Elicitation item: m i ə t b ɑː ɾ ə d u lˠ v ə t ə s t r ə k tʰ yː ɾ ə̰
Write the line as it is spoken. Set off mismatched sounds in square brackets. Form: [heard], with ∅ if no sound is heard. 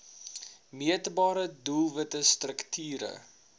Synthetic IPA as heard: m i ə t b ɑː ɾ ə d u lˠ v ə t ə s t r ə k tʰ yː ɾ ə̰